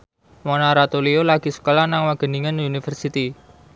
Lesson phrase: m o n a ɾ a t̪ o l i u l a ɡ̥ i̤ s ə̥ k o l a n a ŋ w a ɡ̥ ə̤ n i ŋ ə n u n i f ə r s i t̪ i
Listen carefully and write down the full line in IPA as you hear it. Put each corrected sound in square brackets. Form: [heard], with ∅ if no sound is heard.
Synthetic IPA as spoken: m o n a ɾ a t̪ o l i [o] l a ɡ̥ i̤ s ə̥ k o l a n a ŋ w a ɡ̥ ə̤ n i ŋ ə n u n i f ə r s i t̪ i